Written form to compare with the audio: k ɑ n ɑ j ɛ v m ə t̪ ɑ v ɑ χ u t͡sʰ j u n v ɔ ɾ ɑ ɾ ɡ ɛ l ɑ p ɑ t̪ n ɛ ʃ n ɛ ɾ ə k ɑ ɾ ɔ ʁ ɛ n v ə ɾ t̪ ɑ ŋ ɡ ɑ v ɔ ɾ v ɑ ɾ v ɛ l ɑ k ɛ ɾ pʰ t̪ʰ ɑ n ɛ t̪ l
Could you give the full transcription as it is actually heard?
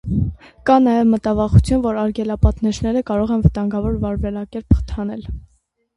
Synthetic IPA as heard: k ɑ n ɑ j ɛ v m ə t̪ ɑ v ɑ χ u t͡sʰ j u n v ɔ ɾ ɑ ɾ ɡ ɛ l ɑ p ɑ t̪ n ɛ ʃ n ɛ ɾ ə k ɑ ɾ ɔ ʁ ɛ n v ə t̪ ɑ ŋ ɡ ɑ v ɔ ɾ v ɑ ɾ v ɛ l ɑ k ɛ ɾ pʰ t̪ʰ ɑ n ɛ l